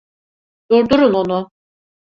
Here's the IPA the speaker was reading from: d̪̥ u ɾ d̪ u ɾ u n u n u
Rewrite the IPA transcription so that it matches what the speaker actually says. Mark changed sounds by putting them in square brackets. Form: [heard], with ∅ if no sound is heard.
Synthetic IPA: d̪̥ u ɾ d̪ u ɾ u n [o] n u